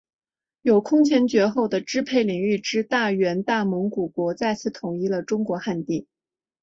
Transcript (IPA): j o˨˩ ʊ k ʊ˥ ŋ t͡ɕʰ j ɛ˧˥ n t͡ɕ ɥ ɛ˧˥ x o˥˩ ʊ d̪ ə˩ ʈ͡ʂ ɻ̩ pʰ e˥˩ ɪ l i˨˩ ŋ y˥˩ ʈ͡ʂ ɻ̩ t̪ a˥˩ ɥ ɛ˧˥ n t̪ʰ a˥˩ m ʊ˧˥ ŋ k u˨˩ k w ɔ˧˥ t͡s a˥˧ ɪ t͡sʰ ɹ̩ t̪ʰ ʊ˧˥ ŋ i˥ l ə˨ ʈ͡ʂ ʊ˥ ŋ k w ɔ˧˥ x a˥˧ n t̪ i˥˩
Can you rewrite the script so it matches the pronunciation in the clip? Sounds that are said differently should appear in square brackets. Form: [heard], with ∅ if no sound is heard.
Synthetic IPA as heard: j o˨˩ ʊ [kʰ] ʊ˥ ŋ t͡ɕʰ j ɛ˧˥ n t͡ɕ ɥ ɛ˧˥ x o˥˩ ʊ d̪ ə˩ ʈ͡ʂ ɻ̩ pʰ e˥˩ ɪ l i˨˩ ŋ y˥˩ ʈ͡ʂ ɻ̩ t̪ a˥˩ ɥ ɛ˧˥ n [t̪] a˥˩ m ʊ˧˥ ŋ k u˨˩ k w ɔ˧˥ t͡s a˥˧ ɪ t͡sʰ ɹ̩ t̪ʰ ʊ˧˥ ŋ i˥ l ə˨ ʈ͡ʂ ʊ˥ ŋ k w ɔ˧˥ x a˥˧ n t̪ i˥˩